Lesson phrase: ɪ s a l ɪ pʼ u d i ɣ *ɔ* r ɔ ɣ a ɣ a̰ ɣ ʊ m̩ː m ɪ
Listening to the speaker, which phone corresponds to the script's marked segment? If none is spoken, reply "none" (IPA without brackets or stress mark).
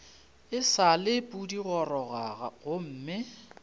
ɔ